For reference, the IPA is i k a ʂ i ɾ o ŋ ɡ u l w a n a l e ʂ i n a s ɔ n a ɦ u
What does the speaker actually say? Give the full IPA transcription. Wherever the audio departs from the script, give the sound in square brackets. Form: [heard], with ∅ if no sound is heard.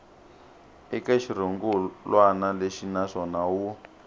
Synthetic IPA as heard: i k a [ʃ] i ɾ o ŋ ɡ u l w a n a l e [ʃ] i n a [ʂ] ɔ n a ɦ u